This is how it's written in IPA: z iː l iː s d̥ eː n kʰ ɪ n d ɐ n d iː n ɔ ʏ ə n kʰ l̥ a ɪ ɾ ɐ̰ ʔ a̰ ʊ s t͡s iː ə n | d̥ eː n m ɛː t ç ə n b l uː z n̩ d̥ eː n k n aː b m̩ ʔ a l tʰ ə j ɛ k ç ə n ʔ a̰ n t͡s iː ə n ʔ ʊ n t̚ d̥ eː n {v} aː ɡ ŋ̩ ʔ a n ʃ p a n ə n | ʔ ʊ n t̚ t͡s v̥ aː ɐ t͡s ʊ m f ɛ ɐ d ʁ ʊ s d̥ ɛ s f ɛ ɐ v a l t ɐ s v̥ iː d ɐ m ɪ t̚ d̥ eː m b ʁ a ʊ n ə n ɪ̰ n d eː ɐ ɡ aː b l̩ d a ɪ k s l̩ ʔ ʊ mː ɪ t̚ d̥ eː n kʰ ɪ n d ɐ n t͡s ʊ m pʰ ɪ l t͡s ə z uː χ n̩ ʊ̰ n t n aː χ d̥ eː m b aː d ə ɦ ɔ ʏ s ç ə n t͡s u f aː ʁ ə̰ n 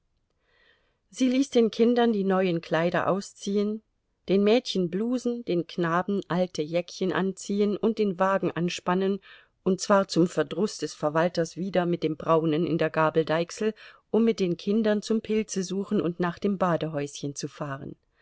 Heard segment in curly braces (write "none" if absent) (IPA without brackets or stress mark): v